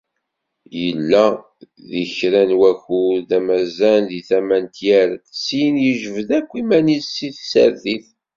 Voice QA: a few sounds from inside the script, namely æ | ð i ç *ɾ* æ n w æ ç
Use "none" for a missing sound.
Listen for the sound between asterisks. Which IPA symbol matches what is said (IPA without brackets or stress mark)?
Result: ɾ